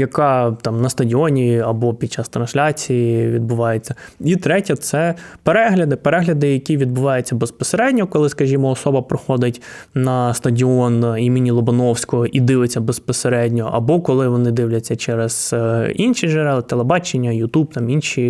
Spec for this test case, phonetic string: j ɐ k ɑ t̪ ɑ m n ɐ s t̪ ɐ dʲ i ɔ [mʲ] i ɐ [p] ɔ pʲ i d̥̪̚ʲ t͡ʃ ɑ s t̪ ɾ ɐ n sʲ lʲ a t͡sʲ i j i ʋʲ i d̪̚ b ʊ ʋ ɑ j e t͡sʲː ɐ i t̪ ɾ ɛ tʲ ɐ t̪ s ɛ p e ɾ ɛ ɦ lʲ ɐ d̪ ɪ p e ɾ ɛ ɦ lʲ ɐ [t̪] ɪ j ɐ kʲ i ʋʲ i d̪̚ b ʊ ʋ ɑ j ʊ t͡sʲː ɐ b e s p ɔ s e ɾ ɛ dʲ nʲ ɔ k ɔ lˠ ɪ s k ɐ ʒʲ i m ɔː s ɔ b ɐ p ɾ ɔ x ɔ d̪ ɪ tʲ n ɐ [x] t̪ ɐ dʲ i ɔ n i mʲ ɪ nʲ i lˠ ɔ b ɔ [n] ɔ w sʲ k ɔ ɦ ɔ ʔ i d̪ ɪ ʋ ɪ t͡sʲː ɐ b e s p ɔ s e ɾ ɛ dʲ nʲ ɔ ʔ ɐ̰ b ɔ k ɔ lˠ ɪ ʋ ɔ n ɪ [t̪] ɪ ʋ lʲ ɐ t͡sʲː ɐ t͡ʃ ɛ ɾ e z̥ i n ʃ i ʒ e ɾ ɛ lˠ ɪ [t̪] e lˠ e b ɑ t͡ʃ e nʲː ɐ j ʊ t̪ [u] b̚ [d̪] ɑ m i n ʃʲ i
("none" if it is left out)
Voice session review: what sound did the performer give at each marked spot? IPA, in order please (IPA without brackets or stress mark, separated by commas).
nʲ, b, d̪, s, n, d̪, t̪, u, t̪